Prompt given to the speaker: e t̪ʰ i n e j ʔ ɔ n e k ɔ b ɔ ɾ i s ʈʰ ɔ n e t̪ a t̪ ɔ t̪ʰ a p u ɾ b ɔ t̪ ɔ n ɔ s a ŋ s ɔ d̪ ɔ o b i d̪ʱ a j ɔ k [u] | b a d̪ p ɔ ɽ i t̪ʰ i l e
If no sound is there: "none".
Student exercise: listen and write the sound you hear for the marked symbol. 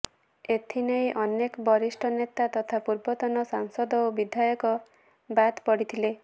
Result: ɔ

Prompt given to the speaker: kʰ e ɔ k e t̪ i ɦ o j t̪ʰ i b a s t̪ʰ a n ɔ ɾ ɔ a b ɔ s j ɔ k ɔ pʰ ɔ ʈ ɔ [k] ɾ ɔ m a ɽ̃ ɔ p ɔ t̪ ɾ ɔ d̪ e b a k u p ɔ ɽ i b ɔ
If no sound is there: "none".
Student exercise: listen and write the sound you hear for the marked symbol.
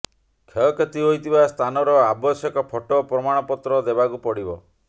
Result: p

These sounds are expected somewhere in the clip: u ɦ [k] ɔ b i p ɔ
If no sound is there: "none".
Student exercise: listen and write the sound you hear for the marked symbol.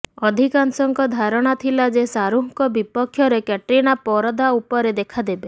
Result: k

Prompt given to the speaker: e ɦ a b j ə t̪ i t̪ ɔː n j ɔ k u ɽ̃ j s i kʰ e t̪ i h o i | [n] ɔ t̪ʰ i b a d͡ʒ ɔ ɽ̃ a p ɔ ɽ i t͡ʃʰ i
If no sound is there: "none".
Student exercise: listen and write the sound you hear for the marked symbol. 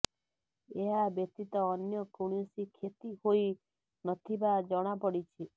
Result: n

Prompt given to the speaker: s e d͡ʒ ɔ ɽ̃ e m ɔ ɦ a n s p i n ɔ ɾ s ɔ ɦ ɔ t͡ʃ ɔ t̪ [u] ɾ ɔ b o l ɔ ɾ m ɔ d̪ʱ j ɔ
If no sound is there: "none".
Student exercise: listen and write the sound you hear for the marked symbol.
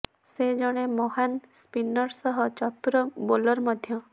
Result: u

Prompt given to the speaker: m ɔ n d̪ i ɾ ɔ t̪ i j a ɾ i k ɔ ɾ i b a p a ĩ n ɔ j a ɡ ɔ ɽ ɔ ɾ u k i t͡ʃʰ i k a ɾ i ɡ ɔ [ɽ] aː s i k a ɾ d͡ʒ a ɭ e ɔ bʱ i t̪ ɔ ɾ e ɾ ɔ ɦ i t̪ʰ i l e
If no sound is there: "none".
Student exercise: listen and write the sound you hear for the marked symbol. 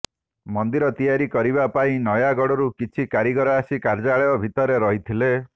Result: ɾ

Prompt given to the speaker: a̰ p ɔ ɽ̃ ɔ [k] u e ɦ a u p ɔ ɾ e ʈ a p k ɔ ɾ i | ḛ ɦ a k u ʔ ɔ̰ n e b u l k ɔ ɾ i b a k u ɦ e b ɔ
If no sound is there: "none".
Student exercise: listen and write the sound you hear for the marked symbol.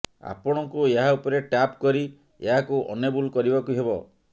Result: k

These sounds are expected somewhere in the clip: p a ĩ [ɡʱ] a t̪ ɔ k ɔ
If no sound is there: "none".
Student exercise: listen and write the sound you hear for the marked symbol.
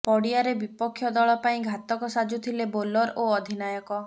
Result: ɡʱ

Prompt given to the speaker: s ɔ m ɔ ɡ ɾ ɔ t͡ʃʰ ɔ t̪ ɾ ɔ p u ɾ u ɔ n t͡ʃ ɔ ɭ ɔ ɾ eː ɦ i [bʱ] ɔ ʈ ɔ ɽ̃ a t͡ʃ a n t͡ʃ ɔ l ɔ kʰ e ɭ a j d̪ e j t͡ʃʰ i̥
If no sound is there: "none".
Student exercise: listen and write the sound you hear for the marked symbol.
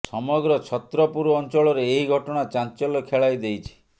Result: ɡʱ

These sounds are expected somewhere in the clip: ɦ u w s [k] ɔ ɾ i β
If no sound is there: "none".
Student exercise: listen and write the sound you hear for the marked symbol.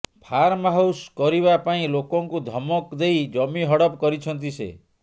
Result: k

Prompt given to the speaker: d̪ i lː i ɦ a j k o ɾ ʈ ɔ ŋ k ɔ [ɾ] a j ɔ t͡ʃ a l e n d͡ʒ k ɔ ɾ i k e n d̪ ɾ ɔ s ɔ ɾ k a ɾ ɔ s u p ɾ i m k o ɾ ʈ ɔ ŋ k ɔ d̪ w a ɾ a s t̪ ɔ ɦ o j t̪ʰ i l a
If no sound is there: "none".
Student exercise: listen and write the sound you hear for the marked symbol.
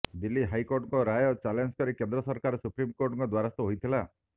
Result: ɾ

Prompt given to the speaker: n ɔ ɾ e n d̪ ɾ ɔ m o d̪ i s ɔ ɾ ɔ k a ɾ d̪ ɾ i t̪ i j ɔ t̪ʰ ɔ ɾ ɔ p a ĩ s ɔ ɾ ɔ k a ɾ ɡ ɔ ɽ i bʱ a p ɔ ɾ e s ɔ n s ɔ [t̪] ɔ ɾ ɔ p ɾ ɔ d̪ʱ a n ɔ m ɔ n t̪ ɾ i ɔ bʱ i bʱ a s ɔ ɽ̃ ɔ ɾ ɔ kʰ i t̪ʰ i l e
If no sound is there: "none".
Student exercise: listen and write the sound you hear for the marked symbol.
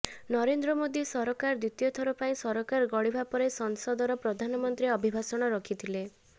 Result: d̪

